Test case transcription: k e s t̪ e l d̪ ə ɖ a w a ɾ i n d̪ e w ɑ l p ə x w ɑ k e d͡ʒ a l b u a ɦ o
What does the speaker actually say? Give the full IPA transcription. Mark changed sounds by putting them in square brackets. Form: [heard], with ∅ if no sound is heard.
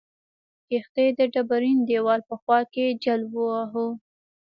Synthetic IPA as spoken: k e [x] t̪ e [∅] d̪ ə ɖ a [b] a ɾ i n d̪ e w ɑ l p ə x w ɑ k e d͡ʒ a l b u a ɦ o